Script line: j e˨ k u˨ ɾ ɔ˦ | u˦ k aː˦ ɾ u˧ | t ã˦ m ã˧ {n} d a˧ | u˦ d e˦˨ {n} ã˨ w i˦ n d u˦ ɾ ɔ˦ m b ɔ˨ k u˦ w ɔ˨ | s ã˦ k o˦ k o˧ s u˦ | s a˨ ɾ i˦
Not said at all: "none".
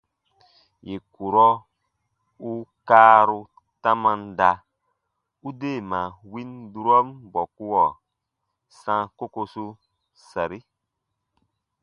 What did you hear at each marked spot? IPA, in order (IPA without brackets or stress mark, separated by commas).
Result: n, m